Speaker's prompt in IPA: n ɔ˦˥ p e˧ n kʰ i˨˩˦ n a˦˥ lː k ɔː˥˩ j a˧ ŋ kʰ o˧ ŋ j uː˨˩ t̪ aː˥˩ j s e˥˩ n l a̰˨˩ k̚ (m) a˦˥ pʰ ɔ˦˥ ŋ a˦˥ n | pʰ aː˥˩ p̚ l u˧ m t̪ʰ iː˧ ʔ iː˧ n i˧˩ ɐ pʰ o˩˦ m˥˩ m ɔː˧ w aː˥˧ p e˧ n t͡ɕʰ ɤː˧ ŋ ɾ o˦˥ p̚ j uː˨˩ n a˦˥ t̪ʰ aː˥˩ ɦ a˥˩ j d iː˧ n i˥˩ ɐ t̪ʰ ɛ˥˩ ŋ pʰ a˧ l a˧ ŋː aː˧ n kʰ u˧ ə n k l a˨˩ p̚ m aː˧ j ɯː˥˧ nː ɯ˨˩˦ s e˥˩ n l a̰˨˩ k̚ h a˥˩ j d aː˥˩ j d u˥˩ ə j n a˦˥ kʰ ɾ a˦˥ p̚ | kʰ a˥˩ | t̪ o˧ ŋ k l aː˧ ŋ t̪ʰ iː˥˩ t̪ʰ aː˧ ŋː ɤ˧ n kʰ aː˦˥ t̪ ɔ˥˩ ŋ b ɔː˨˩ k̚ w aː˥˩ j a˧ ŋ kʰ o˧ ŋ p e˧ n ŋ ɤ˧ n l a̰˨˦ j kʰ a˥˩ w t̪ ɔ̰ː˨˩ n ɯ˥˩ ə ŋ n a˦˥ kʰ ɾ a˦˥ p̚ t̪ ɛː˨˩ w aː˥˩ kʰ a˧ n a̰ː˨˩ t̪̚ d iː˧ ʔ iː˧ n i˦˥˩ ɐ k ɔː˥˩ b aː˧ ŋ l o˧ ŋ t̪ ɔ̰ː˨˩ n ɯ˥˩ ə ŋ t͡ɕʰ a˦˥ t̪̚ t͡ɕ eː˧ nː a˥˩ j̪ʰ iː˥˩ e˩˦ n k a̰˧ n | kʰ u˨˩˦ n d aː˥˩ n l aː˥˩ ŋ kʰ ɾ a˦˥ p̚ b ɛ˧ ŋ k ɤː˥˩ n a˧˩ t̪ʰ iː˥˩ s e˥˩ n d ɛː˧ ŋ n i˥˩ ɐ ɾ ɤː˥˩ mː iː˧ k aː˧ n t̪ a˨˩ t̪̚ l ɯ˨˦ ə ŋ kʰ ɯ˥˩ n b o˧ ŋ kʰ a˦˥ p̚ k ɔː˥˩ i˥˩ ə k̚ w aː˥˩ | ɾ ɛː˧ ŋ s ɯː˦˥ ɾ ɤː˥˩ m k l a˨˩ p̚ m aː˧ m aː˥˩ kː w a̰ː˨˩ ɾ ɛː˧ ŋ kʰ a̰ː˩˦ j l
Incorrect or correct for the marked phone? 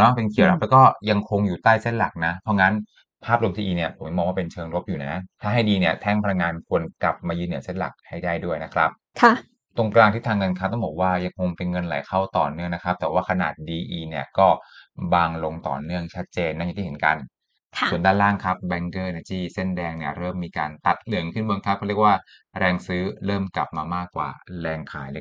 incorrect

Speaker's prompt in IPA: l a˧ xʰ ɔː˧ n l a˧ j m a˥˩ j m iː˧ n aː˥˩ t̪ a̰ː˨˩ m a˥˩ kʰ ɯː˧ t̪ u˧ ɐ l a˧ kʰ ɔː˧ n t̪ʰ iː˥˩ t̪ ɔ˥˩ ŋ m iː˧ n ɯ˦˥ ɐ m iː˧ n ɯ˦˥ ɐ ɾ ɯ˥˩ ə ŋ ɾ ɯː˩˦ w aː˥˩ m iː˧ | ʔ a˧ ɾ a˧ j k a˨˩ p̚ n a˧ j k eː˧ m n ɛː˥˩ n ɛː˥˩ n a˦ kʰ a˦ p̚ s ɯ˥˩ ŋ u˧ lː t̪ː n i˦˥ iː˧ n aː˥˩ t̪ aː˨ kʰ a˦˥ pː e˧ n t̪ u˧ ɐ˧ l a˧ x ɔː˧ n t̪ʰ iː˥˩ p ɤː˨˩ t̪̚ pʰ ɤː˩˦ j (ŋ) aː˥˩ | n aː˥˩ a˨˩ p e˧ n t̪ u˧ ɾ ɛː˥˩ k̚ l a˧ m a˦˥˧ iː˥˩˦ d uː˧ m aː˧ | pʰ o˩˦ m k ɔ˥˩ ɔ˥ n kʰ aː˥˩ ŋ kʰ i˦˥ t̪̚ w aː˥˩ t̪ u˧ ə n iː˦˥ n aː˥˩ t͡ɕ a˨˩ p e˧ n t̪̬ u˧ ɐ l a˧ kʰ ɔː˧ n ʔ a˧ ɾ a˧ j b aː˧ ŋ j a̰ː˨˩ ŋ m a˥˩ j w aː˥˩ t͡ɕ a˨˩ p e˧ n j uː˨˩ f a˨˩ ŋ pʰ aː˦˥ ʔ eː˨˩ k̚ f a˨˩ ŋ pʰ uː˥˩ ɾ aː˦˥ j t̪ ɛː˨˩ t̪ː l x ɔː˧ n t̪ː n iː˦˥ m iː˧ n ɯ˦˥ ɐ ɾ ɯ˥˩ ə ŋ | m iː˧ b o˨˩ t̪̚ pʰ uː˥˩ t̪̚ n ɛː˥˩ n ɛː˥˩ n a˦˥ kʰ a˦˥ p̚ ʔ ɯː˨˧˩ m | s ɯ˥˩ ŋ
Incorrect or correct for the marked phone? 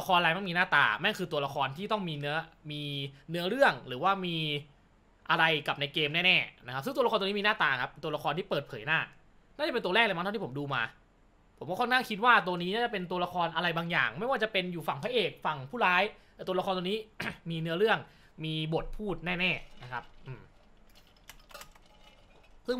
incorrect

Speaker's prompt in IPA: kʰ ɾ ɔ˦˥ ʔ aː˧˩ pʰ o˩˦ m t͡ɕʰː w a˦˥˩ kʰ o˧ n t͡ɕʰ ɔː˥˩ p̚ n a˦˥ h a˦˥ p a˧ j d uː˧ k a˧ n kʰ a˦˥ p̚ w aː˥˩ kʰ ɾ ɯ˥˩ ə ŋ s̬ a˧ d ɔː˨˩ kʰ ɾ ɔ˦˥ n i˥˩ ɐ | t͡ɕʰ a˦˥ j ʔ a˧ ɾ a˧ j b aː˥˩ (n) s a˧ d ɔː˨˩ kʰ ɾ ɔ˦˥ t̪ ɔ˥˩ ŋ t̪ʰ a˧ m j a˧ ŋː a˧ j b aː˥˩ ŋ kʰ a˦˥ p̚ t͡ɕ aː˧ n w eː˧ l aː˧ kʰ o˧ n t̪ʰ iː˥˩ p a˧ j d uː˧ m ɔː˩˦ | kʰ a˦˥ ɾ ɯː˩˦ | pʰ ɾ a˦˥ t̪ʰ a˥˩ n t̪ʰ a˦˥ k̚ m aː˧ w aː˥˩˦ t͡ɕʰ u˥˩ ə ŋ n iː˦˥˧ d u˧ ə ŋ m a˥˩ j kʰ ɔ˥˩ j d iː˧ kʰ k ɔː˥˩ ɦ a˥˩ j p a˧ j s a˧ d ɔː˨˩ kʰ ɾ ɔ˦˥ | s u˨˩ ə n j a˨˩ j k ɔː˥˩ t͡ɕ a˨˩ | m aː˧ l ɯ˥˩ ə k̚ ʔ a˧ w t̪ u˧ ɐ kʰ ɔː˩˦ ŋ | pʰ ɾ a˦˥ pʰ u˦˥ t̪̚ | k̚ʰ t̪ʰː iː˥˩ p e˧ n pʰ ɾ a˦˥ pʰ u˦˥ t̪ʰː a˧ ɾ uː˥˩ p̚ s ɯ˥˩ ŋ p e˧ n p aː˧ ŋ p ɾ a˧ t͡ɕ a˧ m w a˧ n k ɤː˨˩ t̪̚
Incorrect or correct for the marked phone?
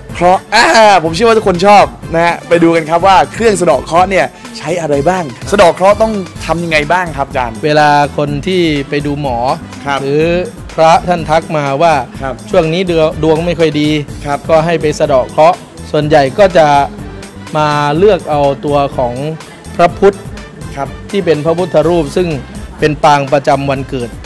incorrect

